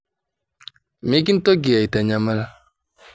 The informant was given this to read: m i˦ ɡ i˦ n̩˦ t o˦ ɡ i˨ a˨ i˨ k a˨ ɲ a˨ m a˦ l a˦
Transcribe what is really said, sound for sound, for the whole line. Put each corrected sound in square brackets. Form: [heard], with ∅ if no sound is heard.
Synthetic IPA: m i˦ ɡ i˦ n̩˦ t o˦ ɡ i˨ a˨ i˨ [t] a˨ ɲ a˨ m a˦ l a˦